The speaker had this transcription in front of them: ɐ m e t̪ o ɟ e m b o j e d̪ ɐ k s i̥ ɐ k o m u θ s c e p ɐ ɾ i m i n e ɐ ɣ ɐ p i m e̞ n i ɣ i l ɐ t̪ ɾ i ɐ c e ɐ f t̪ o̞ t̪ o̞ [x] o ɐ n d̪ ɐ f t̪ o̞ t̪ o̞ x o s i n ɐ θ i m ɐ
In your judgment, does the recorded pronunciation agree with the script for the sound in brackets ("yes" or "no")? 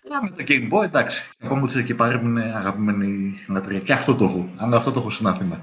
yes